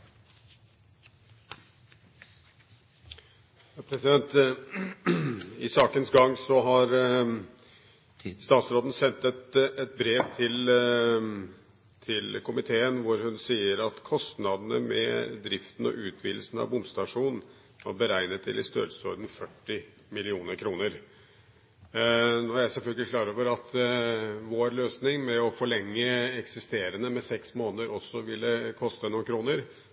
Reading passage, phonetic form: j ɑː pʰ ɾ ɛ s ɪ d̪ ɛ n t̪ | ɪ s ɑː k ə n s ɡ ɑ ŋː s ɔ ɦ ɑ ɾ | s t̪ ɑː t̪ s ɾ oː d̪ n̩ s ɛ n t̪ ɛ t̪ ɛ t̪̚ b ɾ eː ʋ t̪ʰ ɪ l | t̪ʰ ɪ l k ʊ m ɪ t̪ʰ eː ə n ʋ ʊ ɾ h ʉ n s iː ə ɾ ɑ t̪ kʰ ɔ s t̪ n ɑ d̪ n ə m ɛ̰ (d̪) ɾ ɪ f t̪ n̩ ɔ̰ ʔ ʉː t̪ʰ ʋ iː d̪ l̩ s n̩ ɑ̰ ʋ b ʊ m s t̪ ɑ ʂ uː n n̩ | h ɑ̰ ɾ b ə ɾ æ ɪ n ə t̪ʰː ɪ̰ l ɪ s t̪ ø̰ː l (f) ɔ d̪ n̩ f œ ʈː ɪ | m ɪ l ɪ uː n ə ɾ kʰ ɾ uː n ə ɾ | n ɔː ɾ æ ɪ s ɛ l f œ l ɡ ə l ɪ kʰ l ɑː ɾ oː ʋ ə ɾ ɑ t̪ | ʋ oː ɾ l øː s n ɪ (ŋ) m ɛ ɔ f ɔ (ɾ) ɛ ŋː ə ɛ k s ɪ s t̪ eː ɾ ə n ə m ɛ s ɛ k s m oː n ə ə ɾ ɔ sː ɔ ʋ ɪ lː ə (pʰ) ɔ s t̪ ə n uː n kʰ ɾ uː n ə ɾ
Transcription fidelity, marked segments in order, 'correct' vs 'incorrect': correct, incorrect: s, correct, incorrect: ɭ, incorrect: kʰ

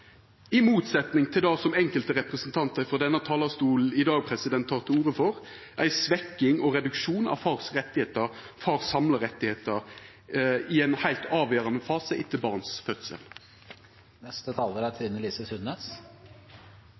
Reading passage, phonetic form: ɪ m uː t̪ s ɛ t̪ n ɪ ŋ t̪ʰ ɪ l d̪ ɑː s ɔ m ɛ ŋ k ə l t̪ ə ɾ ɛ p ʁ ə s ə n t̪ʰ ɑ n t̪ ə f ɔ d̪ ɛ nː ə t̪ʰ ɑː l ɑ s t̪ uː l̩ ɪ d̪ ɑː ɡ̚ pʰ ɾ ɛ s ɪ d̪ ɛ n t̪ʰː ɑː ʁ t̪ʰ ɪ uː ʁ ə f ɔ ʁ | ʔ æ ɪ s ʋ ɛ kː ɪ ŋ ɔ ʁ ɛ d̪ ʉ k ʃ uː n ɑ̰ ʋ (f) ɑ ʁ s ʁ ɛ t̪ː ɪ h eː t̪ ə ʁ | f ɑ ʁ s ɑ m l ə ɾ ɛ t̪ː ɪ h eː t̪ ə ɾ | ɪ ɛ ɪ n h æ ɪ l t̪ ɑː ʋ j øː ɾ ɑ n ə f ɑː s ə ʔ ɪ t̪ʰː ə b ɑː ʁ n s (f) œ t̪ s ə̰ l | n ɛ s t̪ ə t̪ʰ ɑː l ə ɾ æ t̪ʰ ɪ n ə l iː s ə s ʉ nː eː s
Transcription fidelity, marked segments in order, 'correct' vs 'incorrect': correct, correct

